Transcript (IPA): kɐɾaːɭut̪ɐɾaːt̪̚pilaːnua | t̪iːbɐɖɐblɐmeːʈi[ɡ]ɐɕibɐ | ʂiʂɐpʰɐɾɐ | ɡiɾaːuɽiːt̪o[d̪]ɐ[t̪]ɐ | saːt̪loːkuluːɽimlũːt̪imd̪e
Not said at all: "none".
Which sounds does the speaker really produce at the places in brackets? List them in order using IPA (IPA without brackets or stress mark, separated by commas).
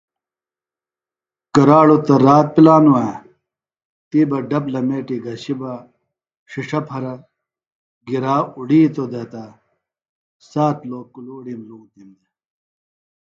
ɡ, d̪, t̪